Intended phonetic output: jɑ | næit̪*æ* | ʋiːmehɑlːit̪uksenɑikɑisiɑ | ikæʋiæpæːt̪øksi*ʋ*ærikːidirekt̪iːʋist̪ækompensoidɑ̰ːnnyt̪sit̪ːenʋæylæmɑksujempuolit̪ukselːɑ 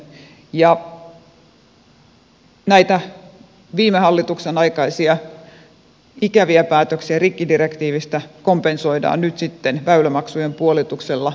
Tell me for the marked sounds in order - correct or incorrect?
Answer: correct, incorrect

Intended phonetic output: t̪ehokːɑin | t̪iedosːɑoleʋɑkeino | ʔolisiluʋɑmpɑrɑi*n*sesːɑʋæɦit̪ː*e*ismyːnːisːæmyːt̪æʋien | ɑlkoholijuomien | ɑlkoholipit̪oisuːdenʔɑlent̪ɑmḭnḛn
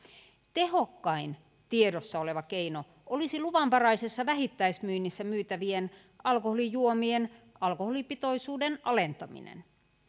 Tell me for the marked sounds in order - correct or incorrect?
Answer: incorrect, incorrect

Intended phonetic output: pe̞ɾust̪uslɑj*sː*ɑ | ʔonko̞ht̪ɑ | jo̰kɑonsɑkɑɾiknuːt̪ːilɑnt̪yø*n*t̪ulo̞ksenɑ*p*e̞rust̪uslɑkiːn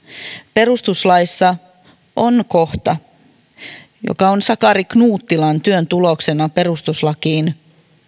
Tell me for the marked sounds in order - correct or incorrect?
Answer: correct, correct, correct

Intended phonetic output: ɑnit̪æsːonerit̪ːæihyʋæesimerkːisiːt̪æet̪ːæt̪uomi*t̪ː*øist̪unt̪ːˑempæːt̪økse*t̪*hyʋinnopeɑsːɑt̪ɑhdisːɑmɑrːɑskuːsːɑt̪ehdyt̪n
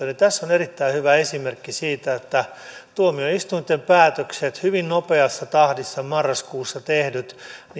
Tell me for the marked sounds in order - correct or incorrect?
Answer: incorrect, correct

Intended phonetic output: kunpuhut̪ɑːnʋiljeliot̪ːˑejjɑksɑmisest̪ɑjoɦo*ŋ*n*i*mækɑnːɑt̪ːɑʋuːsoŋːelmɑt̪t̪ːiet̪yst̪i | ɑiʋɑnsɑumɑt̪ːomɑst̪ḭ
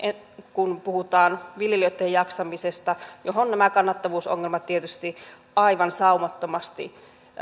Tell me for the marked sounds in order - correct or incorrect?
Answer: incorrect, incorrect

